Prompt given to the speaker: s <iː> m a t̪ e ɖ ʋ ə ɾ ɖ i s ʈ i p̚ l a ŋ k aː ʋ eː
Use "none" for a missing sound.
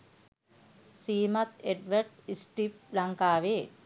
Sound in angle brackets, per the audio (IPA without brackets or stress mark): iː